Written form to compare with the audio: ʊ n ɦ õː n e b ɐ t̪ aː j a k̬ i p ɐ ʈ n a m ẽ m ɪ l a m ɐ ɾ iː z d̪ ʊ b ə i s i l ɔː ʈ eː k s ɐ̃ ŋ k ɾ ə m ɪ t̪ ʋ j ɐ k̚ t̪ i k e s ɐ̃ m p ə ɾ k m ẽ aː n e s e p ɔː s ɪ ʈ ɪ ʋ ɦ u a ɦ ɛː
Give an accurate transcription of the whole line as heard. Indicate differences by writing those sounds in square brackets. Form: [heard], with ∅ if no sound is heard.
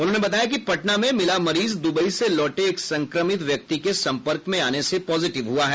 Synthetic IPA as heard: ʊ n ɦ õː n e b ɐ t̪ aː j a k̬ i p ɐ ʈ n a m ẽ m ɪ l a m ɐ ɾ iː z d̪ ʊ b ə i s [e] l ɔː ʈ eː k s ɐ̃ ŋ k ɾ ə m ɪ t̪ ʋ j ɐ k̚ t̪ i k e s ɐ̃ m p ə ɾ k m ẽ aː n e s e p ɔː [z] ɪ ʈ ɪ ʋ ɦ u a ɦ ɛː